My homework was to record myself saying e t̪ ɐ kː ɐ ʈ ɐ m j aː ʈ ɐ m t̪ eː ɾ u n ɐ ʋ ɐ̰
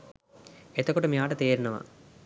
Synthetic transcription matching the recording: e t̪ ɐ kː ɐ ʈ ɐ m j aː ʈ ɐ t̪ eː ɾ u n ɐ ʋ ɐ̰